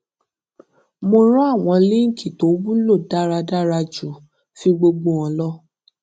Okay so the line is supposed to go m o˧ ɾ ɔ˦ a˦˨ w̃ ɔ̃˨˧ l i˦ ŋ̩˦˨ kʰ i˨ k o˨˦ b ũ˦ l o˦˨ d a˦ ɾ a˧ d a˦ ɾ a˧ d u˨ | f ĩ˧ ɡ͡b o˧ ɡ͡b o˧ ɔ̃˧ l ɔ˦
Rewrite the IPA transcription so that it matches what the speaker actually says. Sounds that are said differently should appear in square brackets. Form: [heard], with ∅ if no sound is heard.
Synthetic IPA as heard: m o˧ ɾ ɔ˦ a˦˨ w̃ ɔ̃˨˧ l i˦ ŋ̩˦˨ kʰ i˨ [t] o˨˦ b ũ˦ l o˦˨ d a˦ ɾ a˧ d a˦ ɾ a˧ [d͡ʒ] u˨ | f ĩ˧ ɡ͡b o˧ ɡ͡b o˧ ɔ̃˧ l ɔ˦